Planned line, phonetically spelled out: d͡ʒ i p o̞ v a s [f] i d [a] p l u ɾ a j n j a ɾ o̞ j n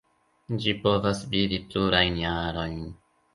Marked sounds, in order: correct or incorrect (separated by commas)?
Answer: incorrect, incorrect